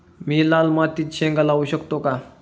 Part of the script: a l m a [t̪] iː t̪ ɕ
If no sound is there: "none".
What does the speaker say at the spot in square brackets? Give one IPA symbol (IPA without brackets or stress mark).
t̪